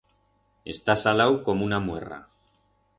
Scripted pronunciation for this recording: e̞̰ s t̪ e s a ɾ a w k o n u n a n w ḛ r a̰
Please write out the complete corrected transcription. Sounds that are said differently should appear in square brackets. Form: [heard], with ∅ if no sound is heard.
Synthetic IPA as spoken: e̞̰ s t̪ [a] s a [l] a w k o [m] u n a [m] w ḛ r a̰